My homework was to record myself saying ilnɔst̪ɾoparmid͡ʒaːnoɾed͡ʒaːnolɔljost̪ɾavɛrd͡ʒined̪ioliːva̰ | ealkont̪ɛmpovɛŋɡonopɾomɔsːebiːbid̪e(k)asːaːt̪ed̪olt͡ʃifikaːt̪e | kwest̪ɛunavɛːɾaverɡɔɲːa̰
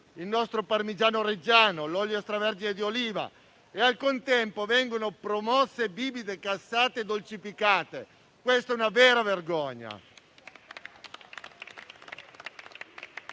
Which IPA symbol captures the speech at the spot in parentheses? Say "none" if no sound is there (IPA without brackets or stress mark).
k